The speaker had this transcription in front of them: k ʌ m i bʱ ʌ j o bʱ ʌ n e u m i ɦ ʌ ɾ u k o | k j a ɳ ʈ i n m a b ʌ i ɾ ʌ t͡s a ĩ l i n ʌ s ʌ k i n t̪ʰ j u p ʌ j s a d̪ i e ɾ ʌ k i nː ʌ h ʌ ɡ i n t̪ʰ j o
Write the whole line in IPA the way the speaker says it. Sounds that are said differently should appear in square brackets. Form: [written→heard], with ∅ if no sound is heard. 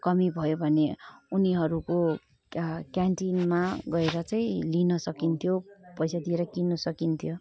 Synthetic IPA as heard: k ʌ m i bʱ ʌ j o bʱ ʌ n e u [m→n] i ɦ ʌ ɾ u k o | k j a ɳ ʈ i n m a [b→ɡ] ʌ [i→e] ɾ ʌ t͡s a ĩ l i n ʌ s ʌ k i n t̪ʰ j [u→o] p ʌ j s a d̪ i e ɾ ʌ k i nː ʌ [h→s] ʌ [ɡ→k] i n t̪ʰ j o